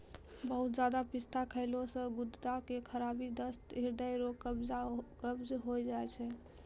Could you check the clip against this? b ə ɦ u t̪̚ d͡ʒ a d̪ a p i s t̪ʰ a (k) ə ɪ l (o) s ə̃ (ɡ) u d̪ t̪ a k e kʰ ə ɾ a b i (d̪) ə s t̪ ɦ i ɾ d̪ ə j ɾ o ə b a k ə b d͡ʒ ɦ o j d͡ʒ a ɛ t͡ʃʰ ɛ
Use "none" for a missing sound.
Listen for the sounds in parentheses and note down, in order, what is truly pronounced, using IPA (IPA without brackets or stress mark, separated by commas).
kʰ, o, ɡ, d̪